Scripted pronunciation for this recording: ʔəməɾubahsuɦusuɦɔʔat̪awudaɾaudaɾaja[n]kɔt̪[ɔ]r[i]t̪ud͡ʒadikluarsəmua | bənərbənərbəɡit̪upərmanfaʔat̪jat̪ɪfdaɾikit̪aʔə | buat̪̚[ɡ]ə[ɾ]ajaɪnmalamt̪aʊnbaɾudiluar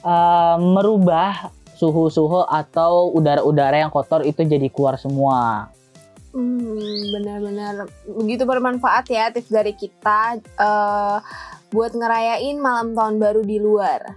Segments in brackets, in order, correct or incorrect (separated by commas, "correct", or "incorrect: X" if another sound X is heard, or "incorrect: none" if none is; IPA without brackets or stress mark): incorrect: ŋ, correct, correct, incorrect: ŋ, correct